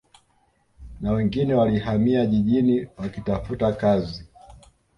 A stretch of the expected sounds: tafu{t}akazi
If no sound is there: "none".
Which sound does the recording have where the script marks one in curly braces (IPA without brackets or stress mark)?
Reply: t